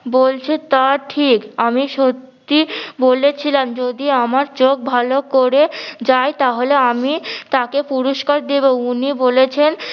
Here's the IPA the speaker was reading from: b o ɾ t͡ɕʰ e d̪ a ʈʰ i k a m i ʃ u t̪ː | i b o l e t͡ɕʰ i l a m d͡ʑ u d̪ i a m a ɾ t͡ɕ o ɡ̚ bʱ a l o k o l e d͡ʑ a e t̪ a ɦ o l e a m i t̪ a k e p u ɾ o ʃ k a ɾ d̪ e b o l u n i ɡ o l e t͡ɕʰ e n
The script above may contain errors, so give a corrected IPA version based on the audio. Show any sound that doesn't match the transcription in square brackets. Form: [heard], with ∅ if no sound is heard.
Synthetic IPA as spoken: b o [l] t͡ɕʰ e [t̪] a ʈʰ i k a m i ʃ [o] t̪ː | i b o l e t͡ɕʰ i l a m d͡ʑ [o] d̪ i a m a ɾ t͡ɕ o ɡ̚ bʱ a l o k o [ɾ] e d͡ʑ a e t̪ a ɦ o l e a m i t̪ a k e p u ɾ o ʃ k a ɾ d̪ e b o [∅] u n i [b] o l e t͡ɕʰ e n